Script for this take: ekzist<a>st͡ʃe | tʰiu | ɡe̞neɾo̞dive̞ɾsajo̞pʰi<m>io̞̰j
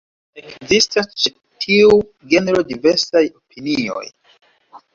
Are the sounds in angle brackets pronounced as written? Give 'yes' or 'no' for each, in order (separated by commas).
yes, no